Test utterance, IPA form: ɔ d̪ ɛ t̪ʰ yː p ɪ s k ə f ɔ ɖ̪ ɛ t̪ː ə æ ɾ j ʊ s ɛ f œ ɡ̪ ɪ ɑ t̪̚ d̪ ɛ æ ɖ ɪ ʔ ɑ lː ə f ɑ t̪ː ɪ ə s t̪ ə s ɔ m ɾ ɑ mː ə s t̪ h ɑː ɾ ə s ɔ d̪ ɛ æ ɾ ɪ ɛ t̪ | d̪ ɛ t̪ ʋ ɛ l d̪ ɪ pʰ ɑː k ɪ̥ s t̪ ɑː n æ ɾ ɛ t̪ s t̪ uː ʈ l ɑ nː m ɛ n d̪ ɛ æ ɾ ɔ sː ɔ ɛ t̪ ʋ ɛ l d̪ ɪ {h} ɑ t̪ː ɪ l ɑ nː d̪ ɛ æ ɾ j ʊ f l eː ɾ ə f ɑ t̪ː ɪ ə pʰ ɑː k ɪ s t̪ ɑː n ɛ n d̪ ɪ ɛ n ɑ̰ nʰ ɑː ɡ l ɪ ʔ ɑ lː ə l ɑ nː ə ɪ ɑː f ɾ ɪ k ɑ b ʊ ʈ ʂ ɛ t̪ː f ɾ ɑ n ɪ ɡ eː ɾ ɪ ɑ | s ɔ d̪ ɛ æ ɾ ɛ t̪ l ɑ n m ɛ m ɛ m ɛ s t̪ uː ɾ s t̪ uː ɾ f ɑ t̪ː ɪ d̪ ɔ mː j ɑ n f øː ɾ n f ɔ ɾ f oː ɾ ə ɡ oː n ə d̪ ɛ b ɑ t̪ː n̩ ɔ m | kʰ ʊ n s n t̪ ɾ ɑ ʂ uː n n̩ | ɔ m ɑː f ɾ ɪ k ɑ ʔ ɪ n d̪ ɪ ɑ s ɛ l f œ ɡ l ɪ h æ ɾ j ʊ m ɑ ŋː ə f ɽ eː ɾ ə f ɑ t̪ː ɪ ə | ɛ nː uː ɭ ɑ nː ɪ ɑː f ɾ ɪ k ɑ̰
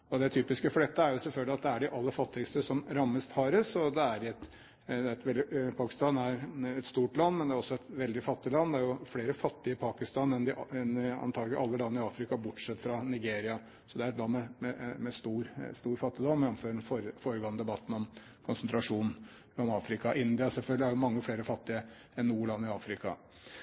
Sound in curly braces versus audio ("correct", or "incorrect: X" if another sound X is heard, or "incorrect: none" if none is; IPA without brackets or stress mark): incorrect: f